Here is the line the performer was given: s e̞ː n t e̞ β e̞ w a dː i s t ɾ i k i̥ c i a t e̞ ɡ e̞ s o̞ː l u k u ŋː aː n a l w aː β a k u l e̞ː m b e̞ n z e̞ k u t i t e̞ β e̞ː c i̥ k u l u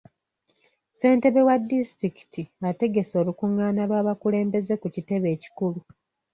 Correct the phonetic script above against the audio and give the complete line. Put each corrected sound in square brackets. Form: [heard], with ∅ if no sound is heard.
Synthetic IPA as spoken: s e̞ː n t e̞ β e̞ w a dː i s t ɾ i k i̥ [t] i a t e̞ ɡ e̞ s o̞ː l u k u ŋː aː n a l w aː β a k u l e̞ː m b e̞ [∅] z e̞ k u [c] i t e̞ β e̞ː c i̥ k u l u